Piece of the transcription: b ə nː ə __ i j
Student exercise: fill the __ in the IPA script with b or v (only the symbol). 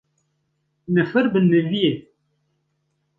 v